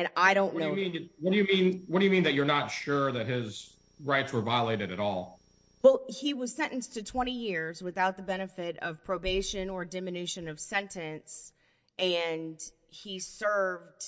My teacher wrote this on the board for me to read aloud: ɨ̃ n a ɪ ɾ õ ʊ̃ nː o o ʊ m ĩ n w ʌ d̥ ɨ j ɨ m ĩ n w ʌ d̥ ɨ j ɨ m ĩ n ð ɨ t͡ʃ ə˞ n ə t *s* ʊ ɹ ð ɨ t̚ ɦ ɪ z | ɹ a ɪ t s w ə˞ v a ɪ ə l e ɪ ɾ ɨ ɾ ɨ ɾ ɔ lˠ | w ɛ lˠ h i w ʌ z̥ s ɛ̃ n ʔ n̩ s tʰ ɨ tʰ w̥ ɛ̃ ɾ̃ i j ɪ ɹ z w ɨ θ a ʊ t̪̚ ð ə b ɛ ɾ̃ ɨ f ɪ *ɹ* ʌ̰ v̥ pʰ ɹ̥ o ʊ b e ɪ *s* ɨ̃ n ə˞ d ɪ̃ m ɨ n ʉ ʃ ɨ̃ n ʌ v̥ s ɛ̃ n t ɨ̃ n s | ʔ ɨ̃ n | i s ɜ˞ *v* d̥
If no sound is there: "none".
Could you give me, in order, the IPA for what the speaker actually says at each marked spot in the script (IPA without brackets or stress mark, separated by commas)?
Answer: ʃ, ɾ, ʃ, v